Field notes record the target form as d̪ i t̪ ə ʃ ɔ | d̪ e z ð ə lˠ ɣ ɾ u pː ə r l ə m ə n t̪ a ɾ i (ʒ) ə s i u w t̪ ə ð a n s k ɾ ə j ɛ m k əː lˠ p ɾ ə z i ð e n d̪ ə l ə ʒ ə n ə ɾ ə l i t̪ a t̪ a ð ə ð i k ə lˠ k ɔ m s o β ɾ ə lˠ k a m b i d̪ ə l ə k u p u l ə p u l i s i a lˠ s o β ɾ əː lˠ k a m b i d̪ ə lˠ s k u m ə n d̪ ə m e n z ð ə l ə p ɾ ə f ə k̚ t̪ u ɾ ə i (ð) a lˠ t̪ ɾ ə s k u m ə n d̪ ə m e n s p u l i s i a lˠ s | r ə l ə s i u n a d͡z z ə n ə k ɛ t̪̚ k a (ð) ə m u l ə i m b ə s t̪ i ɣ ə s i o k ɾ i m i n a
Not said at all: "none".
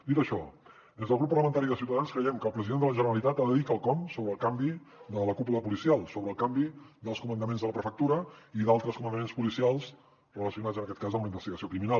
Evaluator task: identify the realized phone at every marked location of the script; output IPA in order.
ð, ð, z

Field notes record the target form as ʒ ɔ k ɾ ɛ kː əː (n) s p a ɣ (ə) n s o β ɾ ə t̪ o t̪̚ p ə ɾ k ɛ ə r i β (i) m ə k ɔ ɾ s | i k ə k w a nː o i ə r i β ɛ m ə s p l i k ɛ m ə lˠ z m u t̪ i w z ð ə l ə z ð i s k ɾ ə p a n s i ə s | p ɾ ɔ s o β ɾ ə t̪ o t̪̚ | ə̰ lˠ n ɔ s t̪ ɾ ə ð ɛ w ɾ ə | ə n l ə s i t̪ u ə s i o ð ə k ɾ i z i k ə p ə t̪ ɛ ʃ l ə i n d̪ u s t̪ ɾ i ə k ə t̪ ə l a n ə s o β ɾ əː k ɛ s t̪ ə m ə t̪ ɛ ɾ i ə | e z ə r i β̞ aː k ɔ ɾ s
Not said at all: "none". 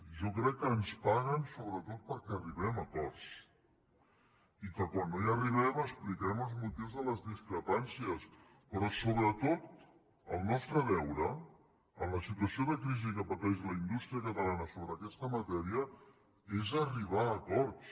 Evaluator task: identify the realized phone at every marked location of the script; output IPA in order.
n, ə, ɛ

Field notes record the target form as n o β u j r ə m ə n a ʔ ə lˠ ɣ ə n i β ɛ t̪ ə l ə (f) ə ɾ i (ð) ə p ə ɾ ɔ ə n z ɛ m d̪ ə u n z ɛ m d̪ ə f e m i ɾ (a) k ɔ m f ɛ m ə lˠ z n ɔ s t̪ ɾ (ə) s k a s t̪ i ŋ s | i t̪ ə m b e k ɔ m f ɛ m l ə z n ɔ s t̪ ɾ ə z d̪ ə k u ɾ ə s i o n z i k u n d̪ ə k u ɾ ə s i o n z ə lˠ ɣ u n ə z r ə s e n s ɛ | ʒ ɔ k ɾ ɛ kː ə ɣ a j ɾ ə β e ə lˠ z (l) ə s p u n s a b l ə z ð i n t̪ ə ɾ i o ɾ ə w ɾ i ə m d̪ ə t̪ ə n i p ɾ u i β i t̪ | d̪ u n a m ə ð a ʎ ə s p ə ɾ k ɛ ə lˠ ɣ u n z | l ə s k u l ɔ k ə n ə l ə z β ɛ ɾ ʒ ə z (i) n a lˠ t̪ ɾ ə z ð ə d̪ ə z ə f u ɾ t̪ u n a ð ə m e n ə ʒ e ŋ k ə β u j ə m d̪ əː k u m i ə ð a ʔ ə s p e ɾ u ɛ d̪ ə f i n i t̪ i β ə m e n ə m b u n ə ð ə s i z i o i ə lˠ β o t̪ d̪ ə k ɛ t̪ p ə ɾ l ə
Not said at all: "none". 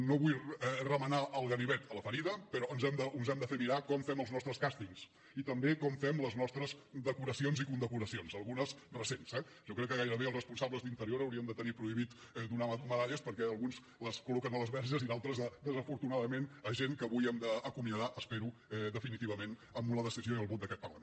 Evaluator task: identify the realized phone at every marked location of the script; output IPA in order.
f, ð, a, ə, r, i

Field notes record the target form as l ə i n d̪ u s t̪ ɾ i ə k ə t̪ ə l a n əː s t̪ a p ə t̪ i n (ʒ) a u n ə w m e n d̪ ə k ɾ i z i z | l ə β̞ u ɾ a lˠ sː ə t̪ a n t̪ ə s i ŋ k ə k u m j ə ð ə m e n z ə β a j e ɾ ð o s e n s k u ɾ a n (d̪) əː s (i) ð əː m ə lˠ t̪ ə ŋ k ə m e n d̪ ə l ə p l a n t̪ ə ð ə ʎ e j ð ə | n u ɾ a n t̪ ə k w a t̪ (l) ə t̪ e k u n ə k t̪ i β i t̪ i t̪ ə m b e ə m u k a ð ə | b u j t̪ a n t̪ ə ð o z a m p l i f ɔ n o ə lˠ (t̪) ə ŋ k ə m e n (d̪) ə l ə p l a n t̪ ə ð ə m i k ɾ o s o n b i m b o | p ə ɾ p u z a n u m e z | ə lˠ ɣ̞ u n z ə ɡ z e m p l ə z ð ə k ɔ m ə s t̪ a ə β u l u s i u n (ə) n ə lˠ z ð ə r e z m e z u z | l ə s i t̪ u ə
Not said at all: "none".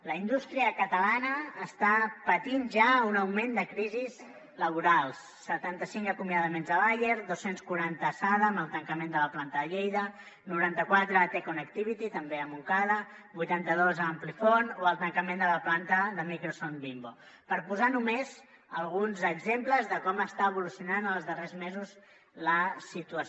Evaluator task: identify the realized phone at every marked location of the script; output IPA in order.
ʒ, t̪, a, ɾ, t̪, d̪, a

